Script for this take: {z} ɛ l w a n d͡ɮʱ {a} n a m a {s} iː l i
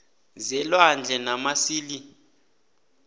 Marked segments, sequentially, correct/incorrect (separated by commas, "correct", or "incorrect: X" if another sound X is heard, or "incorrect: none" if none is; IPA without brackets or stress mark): correct, incorrect: ɛ, correct